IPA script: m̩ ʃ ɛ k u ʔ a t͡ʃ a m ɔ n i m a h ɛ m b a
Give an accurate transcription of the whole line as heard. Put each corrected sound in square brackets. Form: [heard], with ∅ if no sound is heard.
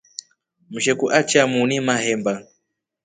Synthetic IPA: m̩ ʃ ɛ k u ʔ a t͡ʃ a m [u] n i m a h ɛ m b a

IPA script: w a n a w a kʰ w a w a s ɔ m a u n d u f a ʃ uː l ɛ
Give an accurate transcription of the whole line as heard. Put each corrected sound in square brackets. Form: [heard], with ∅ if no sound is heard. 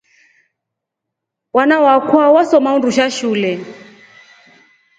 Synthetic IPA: w a n a w a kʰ w a w a s ɔ m a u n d u [ʃ] a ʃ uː l ɛ

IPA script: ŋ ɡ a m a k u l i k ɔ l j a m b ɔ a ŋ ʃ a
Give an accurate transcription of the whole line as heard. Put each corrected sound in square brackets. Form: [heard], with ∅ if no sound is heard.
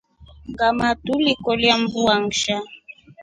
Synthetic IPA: ŋ ɡ a m a [t] u l i k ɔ l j a m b [u] a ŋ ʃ a

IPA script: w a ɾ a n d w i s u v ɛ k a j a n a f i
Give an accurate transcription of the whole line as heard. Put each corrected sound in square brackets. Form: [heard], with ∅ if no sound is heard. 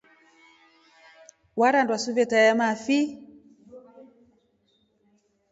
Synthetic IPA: w a ɾ a n d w [a] s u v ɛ [t] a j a [m] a f i

